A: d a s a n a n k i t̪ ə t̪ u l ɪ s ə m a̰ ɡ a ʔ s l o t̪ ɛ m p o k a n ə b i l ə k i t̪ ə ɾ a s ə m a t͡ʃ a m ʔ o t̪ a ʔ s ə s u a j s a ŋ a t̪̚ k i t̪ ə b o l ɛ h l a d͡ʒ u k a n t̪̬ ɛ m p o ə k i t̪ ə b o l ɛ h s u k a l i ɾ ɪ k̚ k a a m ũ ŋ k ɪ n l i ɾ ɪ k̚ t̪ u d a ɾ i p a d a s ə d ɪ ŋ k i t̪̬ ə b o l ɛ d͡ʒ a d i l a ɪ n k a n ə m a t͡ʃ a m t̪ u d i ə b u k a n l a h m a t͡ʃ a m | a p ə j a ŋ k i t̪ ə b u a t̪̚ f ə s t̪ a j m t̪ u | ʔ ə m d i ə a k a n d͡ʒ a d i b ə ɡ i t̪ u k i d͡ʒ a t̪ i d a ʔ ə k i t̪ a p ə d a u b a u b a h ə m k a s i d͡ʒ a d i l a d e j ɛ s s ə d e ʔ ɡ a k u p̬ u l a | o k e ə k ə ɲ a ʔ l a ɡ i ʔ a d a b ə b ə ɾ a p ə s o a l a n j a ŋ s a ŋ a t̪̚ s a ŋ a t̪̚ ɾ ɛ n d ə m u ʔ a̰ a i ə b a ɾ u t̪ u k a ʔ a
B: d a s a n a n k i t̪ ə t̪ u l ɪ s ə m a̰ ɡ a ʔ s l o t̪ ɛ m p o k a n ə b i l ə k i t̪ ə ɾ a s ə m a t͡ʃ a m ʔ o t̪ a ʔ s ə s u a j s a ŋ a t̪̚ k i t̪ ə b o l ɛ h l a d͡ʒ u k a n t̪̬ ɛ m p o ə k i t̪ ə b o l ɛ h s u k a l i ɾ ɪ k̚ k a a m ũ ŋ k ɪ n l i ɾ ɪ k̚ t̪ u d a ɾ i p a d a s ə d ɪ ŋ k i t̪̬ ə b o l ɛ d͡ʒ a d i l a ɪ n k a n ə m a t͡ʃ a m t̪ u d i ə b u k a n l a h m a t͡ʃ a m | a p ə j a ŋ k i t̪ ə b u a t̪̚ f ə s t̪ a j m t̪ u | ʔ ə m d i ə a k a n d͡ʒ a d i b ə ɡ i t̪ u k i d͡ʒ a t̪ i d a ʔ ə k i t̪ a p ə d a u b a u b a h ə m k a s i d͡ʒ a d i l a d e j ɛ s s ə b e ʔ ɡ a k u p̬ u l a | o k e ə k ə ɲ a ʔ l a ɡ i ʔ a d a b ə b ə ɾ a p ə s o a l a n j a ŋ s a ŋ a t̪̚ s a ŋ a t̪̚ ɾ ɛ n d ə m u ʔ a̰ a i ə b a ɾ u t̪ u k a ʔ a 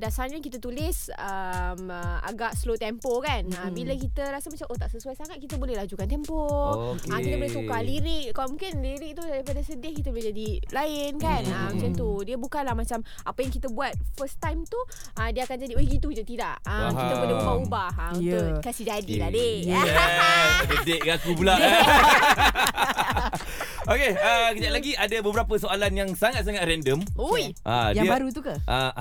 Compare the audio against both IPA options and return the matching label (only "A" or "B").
A